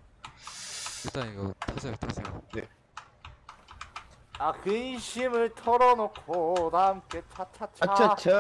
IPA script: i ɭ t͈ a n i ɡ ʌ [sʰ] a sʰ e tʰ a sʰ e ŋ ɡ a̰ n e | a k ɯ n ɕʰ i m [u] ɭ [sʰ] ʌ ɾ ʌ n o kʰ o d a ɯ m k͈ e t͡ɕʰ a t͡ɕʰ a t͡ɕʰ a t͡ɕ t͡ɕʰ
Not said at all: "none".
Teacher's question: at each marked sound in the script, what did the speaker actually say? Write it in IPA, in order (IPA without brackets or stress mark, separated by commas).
tʰ, ɯ, tʰ